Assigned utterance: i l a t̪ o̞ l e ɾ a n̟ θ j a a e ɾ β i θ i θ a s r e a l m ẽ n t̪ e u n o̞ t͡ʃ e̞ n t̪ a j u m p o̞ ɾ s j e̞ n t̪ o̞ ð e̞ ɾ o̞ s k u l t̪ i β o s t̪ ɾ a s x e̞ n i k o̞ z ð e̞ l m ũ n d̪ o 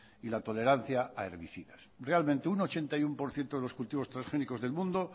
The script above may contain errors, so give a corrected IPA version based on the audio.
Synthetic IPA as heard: i l a t̪ o̞ l e ɾ a n̟ θ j a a e ɾ β i θ i ð a s r e a l m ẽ n t̪ e u n o̞ t͡ʃ e̞ n t̪ a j u m p o̞ ɾ θ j e̞ n t̪ o̞ ð e̞ l o̞ s k u l t̪ i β o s t̪ ɾ a s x e̞ n i k o̞ z ð e̞ l m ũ n d̪ o